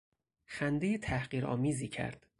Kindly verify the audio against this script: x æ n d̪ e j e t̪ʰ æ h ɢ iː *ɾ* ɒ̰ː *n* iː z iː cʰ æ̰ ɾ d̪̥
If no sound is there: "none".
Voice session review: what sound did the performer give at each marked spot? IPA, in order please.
ɾ, m

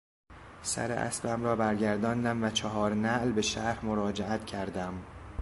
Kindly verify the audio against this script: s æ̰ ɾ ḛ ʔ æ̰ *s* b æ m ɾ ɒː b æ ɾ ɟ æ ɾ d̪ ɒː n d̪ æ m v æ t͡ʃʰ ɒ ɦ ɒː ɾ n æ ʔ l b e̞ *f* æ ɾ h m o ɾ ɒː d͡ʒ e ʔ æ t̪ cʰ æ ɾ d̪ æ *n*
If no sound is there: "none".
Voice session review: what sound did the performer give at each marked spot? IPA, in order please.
s, ʃ, m

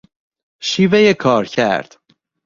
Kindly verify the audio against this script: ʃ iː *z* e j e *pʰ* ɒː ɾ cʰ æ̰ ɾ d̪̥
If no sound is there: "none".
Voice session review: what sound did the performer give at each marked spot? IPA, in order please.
v, kʰ

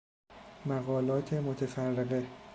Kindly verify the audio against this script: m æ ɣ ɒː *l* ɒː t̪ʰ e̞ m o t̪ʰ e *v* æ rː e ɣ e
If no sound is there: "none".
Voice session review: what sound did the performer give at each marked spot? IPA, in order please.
l, f

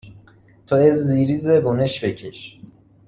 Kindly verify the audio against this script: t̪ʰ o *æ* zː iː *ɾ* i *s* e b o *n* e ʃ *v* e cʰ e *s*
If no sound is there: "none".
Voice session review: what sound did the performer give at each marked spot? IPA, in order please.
e, ɾ, z, n, b, ʃ

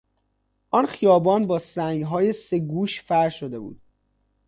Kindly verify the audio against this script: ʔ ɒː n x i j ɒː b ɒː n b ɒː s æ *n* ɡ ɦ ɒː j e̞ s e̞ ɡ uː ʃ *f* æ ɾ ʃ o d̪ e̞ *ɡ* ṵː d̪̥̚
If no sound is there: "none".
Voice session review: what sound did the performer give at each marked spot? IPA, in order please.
ŋ, f, b

